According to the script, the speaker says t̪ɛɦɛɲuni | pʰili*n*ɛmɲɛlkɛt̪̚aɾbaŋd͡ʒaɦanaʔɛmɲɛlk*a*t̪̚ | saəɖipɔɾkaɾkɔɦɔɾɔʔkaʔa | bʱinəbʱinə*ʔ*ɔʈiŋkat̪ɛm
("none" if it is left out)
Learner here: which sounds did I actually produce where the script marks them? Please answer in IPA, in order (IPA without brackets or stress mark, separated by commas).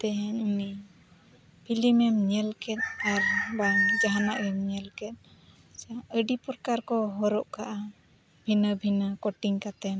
m, ɛ, k